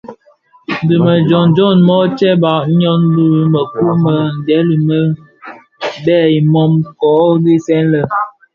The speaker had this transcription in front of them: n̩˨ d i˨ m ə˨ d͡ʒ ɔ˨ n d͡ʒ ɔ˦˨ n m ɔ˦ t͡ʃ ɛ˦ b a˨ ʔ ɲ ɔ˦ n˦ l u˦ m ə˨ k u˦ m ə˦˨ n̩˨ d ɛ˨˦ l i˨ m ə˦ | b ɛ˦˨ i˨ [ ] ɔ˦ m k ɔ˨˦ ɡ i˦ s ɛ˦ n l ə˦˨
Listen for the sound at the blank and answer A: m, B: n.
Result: A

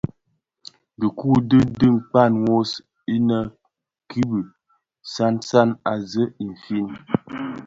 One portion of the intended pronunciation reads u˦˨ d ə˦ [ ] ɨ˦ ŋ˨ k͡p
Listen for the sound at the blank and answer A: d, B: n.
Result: A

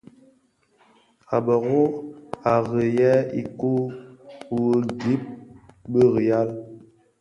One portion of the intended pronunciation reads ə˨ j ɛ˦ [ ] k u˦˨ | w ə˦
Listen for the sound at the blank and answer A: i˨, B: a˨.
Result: A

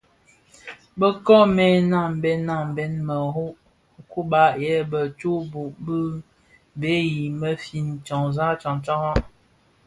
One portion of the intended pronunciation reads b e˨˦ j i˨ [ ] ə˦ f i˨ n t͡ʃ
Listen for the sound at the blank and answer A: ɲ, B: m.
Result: B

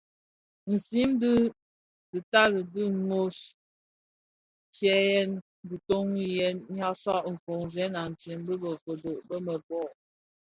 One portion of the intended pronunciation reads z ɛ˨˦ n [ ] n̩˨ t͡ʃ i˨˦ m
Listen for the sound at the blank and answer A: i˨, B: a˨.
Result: B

